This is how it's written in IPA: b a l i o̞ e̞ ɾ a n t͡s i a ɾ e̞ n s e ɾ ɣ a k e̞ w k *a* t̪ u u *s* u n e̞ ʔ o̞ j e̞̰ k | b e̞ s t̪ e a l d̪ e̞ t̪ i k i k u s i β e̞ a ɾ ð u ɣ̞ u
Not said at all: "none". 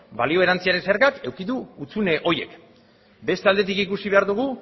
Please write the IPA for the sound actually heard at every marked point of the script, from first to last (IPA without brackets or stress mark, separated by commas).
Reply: i, t͡s